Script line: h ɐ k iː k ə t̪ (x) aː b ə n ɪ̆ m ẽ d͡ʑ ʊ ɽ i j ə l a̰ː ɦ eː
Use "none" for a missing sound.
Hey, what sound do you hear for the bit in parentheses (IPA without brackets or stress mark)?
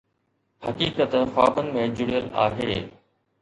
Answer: x